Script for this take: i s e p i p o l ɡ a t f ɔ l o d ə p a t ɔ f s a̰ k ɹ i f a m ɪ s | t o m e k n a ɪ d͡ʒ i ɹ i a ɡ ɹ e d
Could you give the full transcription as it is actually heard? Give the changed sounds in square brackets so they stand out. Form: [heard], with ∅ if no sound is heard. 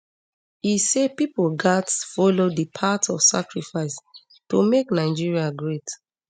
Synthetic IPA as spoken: i s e p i p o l ɡ a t f ɔ l o d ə [pʰ] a t ɔ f s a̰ k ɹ i f a [∅] ɪ s | t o m e k n a ɪ d͡ʒ i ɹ i a ɡ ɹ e [t]